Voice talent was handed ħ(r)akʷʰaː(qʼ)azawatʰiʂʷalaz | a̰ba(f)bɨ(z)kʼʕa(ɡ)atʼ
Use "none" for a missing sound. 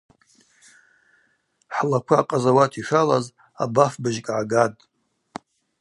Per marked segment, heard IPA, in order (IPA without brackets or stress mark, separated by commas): l, qʼ, f, ʒ, ɡ